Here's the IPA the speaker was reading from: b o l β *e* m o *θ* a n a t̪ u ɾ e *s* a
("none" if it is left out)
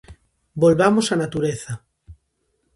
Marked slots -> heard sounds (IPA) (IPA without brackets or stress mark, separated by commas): a, s, θ